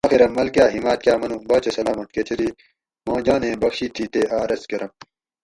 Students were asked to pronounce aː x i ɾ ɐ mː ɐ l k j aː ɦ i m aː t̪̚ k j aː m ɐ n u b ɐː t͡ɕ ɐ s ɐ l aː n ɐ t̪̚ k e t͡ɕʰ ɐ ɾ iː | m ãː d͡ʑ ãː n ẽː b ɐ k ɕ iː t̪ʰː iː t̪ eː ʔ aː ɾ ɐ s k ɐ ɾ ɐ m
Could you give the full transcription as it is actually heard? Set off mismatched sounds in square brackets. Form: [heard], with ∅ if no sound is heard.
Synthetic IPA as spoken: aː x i ɾ ɐ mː ɐ l k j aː ɦ i m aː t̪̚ k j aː m ɐ n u b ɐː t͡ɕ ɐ s ɐ l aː [m] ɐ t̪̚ k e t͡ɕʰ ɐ ɾ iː | m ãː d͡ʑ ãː n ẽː b ɐ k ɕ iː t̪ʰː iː t̪ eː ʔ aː ɾ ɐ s k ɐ ɾ ɐ m